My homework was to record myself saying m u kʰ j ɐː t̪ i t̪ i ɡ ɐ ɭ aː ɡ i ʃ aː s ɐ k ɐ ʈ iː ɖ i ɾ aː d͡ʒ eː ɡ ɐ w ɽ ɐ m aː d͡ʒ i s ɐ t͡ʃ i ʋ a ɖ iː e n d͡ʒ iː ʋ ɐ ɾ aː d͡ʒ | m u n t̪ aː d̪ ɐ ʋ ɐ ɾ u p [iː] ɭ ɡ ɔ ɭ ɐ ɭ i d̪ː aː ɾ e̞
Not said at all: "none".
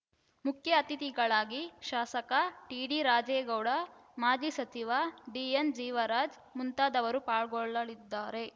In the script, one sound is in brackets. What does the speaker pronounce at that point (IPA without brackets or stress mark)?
aː